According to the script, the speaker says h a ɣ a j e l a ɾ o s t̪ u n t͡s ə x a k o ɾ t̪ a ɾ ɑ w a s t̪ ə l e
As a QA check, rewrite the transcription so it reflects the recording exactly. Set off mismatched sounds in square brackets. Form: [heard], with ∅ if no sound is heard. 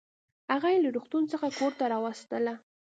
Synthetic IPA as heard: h a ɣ a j e l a ɾ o [x] t̪ u n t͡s ə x a k o ɾ t̪ a ɾ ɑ w a s t̪ ə l [a]